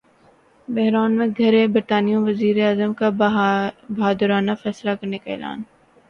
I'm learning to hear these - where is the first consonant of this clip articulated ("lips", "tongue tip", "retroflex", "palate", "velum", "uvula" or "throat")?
lips